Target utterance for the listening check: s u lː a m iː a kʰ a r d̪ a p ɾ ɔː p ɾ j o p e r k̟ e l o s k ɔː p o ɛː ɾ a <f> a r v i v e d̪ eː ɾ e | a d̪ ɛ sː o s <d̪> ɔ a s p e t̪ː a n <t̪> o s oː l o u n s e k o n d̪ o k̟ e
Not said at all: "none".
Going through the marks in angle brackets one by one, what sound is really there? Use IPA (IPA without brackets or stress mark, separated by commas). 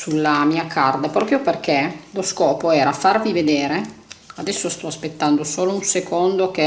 f, t̪, d̪